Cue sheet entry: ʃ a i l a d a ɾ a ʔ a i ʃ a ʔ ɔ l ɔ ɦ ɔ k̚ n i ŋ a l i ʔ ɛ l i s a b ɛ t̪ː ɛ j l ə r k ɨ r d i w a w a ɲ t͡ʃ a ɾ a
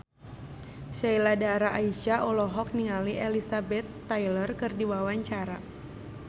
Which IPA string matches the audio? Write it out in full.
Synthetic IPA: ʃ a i l a d a ɾ a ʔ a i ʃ a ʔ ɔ l ɔ ɦ ɔ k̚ n i ŋ a l i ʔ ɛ l i s a b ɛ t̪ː a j l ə r k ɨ r d i w a w a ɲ t͡ʃ a ɾ a